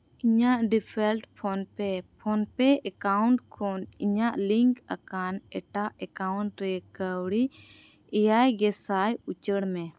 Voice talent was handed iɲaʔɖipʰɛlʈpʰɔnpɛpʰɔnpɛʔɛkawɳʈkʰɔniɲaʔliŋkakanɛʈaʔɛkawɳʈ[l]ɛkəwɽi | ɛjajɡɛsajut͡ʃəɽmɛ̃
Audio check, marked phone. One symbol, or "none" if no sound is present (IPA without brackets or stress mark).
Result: ɾ